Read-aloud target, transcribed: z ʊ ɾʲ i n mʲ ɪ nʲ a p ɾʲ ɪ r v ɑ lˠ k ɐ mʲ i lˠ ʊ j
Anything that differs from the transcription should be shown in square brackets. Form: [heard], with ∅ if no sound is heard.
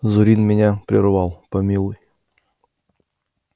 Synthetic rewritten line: z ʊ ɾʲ i n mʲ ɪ nʲ a p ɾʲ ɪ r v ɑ lˠ [p] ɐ mʲ i lˠ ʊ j